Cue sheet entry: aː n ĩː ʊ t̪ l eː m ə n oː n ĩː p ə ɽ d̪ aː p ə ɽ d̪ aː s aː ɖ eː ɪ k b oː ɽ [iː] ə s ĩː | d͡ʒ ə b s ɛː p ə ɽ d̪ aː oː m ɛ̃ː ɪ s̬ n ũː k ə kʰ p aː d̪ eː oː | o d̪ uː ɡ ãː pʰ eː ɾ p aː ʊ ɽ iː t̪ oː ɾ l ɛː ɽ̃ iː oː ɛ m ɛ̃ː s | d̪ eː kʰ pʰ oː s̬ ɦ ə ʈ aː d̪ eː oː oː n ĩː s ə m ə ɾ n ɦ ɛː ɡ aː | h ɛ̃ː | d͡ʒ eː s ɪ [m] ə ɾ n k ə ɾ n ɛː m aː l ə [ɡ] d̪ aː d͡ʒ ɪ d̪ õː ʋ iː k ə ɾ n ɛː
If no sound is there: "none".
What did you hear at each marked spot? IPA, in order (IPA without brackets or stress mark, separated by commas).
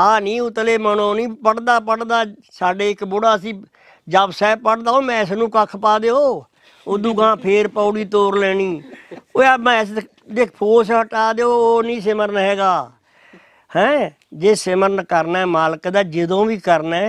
aː, m, k